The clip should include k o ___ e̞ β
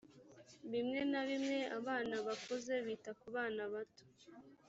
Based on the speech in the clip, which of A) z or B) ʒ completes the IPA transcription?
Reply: A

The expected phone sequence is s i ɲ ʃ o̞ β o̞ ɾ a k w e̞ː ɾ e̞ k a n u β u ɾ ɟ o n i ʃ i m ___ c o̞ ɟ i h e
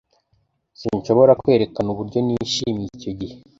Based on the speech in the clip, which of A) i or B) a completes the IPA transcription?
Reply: A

